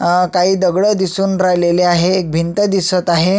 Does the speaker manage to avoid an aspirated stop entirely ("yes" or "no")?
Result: yes